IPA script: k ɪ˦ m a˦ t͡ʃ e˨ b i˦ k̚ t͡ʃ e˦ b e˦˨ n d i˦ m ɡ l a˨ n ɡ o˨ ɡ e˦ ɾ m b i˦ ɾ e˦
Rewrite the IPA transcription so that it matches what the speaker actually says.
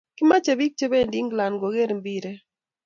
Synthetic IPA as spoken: k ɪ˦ m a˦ t͡ʃ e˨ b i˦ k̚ t͡ʃ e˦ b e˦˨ n d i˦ ŋ ɡ l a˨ n ɡ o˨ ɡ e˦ ɾ m b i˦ ɾ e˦

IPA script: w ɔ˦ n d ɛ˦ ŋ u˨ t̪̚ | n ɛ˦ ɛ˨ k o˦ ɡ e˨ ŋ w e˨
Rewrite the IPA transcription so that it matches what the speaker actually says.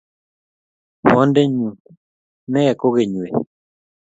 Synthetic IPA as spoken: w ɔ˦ n d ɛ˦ ɲ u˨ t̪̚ | n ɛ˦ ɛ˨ k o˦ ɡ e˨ ɲ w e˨

